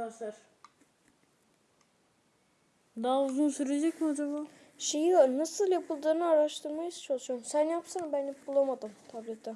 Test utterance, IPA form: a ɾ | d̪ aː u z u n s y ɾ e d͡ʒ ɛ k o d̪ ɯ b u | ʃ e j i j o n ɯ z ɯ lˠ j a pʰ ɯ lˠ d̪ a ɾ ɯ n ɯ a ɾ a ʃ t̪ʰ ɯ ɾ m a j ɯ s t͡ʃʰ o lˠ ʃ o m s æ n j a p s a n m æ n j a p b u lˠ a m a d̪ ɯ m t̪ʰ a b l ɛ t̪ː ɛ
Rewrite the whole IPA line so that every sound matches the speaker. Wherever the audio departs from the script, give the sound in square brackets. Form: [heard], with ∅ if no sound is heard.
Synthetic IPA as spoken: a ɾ | d̪ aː u z u n s y ɾ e d͡ʒ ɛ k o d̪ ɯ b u | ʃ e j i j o n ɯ [s] ɯ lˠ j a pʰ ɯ lˠ d̪ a ɾ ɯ n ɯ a ɾ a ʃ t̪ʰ ɯ ɾ m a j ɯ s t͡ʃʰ o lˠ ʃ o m s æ n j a p s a n [b] æ n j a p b u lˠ a m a d̪ ɯ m t̪ʰ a b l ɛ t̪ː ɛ

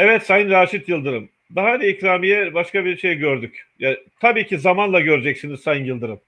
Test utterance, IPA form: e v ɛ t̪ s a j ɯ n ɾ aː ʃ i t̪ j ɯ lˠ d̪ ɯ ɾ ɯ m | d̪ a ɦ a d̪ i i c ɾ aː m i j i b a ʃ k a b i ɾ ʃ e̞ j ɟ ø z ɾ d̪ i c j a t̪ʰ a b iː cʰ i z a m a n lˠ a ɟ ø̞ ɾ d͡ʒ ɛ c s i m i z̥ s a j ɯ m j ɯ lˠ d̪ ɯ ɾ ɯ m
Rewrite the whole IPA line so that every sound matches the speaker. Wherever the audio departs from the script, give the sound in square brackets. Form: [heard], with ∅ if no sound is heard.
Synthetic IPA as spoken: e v ɛ t̪ s a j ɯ n ɾ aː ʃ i t̪ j ɯ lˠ d̪ ɯ ɾ ɯ m | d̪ a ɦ a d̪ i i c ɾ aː m i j [ɛ] b a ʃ k a b i ɾ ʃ e̞ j ɟ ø [∅] ɾ d̪ [y] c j a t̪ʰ a b iː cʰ i z a m a n lˠ a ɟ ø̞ ɾ d͡ʒ ɛ c s i [n] i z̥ s a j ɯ [n] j ɯ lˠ d̪ ɯ ɾ ɯ m

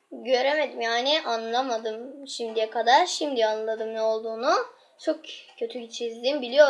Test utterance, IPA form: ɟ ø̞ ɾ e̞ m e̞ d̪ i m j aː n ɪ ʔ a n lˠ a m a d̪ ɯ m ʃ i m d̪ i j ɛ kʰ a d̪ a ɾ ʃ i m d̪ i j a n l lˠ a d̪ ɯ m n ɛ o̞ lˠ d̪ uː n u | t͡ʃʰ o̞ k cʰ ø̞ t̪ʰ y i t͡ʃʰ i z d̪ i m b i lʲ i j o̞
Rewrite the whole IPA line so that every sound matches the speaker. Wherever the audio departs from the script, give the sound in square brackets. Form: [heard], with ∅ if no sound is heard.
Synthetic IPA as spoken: ɟ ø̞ ɾ e̞ m e̞ d̪ i m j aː n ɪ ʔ a n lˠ a m a d̪ ɯ m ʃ i m d̪ i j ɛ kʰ a d̪ a ɾ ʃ i m d̪ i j a n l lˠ a d̪ ɯ m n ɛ o̞ lˠ d̪ uː n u | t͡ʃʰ o̞ k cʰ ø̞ t̪ʰ y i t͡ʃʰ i z d̪ i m b i lʲ i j o̞

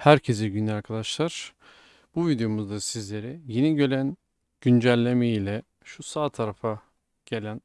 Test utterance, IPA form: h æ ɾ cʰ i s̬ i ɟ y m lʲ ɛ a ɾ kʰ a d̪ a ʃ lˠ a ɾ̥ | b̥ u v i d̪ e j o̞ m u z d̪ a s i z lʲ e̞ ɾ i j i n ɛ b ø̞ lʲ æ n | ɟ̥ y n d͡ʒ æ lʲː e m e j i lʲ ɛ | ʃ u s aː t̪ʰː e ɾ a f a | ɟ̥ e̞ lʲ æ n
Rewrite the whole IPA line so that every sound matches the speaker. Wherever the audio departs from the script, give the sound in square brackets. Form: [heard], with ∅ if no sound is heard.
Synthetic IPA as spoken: h æ ɾ cʰ [e] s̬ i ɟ y [n] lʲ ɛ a ɾ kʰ a d̪ a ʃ lˠ a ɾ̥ | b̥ u v i d̪ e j o̞ m u z d̪ a s i z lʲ e̞ ɾ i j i n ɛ [ɟ] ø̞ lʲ æ n | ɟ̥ y n d͡ʒ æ lʲː e m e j i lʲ ɛ | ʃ u s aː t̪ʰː [a] ɾ a f a | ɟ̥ e̞ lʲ æ n

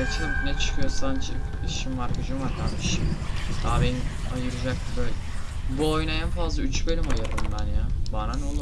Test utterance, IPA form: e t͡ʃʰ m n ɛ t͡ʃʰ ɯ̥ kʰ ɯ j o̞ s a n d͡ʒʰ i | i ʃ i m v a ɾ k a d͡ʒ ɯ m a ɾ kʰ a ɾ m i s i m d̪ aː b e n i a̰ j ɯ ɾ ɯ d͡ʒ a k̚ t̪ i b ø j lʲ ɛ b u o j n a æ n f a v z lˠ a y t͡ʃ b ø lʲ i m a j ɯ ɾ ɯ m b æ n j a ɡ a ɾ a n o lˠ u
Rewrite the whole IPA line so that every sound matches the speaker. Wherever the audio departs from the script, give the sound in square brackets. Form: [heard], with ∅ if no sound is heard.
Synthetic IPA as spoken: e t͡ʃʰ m n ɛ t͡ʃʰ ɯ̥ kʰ ɯ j o̞ s a n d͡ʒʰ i | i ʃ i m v a ɾ k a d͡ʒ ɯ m a ɾ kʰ a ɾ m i [ʃ] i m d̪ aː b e n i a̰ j ɯ ɾ ɯ d͡ʒ a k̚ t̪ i b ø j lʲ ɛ b u o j n a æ n f a [∅] z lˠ a y t͡ʃ b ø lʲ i m a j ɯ ɾ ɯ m b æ n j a [b] a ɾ a n o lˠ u

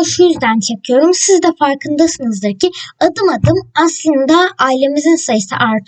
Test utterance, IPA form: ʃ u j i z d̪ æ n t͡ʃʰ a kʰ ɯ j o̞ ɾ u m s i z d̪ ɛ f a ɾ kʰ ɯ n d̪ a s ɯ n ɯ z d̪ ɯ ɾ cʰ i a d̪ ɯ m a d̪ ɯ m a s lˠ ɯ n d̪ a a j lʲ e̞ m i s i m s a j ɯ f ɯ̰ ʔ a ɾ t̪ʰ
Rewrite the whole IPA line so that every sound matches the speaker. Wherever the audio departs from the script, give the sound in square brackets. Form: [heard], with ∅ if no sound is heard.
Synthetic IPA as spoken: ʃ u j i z d̪ æ n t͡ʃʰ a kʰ ɯ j o̞ ɾ u m s i z d̪ ɛ f a ɾ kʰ ɯ n d̪ a s ɯ n ɯ z d̪ ɯ ɾ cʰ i a d̪ ɯ m a d̪ ɯ m a s lˠ ɯ n d̪ a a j lʲ e̞ m i [z] i [n] s a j ɯ [s] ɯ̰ ʔ a ɾ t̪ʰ

